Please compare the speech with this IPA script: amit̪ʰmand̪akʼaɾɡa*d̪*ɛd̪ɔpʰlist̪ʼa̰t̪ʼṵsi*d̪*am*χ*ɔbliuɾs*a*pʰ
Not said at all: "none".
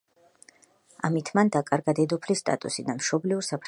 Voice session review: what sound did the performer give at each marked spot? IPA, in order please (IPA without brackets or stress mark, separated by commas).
d̪, d̪, ʃ, a